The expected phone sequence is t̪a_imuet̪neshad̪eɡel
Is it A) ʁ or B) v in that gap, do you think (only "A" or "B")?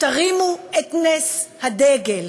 A